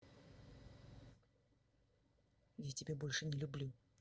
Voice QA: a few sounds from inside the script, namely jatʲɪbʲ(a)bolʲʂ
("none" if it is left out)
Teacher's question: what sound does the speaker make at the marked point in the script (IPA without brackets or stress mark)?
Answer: e